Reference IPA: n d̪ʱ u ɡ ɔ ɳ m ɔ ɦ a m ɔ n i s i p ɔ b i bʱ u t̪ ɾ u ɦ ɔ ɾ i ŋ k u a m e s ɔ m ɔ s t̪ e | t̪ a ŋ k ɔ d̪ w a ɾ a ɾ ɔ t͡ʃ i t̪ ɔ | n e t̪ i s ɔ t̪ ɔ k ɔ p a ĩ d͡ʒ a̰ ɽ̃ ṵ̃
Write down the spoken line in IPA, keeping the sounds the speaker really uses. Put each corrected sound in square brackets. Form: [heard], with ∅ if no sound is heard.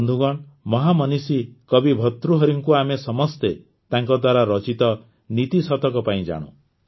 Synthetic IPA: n d̪ʱ u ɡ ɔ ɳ m ɔ ɦ a m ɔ n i s i [k] ɔ b i bʱ [ɔ] t̪ ɾ u ɦ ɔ ɾ i ŋ k u a m e s ɔ m ɔ s t̪ e | t̪ a ŋ k ɔ d̪ w a ɾ a ɾ ɔ t͡ʃ i t̪ ɔ | n [i] t̪ i s ɔ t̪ ɔ k ɔ p a ĩ d͡ʒ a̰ ɽ̃ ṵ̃